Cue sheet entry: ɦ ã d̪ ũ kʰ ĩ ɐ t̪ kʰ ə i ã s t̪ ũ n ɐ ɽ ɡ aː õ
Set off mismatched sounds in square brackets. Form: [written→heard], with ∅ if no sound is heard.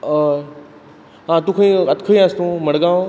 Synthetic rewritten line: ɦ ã [d̪→t̪] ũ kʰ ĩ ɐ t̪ kʰ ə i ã s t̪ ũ [n→m] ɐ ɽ ɡ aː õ